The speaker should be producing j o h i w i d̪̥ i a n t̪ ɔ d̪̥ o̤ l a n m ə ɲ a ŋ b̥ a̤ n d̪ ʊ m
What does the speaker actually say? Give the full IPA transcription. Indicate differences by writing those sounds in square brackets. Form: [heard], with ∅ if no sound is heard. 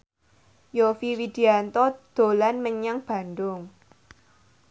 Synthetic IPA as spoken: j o [f] i w i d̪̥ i a n t̪ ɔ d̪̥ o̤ l a n m ə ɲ a ŋ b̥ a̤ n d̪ ʊ [ŋ]